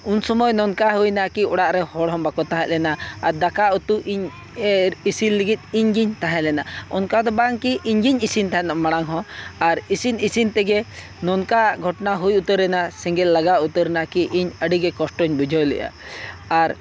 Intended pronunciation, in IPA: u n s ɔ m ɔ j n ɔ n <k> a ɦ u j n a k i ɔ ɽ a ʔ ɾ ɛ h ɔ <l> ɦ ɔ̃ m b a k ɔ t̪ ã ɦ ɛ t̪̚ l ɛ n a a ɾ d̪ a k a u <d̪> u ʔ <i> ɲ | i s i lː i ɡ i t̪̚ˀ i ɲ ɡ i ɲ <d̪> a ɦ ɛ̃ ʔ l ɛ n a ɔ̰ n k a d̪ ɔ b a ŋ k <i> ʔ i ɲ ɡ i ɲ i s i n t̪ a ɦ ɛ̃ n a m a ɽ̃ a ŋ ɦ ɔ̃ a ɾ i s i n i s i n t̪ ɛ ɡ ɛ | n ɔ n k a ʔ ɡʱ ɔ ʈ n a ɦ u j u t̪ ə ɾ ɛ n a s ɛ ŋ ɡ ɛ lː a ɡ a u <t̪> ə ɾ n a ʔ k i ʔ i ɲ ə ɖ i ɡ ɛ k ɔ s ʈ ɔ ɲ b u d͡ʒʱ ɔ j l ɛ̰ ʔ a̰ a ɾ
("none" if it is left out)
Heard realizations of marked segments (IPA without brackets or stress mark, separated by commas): k, ɽ, t̪, i, t̪, i, t̪